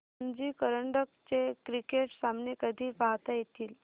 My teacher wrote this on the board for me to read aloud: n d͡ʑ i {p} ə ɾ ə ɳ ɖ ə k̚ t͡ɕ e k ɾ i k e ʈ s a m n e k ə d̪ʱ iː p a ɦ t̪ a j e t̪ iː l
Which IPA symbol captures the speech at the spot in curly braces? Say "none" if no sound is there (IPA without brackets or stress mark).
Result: k